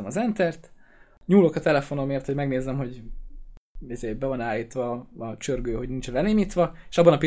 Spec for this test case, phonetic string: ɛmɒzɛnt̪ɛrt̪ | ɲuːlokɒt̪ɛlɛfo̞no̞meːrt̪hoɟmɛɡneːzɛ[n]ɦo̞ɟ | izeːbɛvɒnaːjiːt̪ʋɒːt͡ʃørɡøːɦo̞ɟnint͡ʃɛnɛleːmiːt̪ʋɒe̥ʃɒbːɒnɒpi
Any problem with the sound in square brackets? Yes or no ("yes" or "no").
yes